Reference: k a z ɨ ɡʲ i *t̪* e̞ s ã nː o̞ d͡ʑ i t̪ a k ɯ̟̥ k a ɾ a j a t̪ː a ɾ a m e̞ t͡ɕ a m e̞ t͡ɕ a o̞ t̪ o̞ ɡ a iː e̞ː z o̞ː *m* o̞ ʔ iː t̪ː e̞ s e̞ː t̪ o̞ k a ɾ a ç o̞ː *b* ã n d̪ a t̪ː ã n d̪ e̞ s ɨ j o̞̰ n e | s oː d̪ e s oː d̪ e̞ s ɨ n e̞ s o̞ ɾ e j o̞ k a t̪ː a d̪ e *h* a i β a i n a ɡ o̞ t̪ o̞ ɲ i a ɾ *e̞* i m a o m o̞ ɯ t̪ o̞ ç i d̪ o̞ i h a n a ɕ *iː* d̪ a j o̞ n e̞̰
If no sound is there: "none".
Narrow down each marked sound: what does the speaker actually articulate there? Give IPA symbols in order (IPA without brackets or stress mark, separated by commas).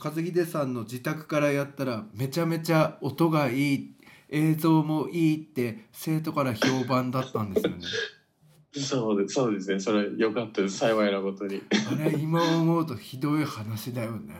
d̪, m, b, s, e̞, i